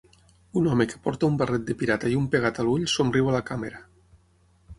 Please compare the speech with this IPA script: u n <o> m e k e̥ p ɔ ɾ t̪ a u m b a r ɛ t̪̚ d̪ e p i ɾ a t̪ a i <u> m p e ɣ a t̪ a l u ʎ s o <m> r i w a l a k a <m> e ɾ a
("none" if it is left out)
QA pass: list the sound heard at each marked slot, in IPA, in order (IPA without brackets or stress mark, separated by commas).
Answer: ɔ, u, m, m